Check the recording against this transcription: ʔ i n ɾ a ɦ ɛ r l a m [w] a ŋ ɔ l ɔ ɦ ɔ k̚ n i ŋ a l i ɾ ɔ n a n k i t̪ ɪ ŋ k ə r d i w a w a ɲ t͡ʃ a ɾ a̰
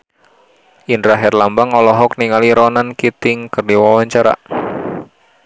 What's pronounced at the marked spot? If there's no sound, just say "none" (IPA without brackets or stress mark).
b